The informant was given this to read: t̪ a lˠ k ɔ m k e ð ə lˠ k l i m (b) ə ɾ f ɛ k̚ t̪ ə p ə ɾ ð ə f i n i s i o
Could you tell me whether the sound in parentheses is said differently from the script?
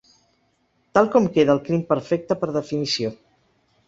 yes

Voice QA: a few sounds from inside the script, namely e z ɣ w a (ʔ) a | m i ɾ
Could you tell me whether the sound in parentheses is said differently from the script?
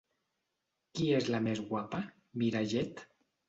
yes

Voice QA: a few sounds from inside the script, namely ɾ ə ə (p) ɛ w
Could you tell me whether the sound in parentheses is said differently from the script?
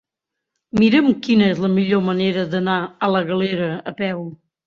no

